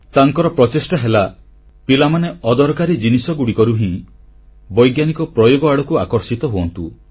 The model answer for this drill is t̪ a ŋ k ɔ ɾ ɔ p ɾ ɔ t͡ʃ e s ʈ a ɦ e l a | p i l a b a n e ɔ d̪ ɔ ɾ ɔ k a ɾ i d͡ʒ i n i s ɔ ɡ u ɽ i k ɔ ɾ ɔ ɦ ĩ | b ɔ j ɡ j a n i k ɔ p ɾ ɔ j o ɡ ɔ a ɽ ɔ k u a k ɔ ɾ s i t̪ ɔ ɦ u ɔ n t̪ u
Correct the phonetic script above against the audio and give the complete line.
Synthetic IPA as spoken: t̪ a ŋ k ɔ ɾ ɔ p ɾ ɔ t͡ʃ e s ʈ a ɦ e l a | p i l a m a n e ɔ d̪ ɔ ɾ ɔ k a ɾ i d͡ʒ i n i s ɔ ɡ u ɽ i k ɔ ɾ u ɦ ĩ | b ɔ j ɡ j a n i k ɔ p ɾ ɔ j o ɡ ɔ a ɽ ɔ k u a k ɔ ɾ s i t̪ ɔ ɦ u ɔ n t̪ u